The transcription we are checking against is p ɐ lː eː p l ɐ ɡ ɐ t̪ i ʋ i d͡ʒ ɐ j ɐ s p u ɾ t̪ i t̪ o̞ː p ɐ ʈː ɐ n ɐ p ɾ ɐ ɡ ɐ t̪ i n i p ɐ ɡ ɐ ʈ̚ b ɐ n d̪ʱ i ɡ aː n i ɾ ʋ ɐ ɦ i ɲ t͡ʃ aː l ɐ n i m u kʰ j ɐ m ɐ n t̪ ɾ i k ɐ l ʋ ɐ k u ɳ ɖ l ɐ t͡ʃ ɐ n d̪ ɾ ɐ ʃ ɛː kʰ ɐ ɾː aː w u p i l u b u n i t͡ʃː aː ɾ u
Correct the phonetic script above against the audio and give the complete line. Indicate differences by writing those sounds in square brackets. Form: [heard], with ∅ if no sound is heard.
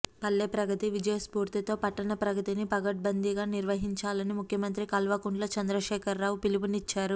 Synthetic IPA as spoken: p ɐ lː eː p [ɾ] ɐ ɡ ɐ t̪ i ʋ i d͡ʒ ɐ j ɐ s p [uː] ɾ t̪ i t̪ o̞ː p ɐ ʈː ɐ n ɐ p ɾ ɐ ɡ ɐ t̪ i n i p ɐ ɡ ɐ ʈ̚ b ɐ n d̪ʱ i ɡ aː n i ɾ ʋ ɐ ɦ i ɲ t͡ʃ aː l ɐ n i m u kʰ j ɐ m ɐ n t̪ ɾ i k ɐ l ʋ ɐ k u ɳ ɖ l ɐ t͡ʃ ɐ n d̪ ɾ ɐ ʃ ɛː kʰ ɐ ɾː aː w u p i l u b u n i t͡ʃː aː ɾ u